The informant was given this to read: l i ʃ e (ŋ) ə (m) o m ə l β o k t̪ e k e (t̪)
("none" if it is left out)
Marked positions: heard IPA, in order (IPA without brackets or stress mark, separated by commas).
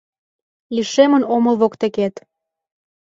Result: m, n, t̪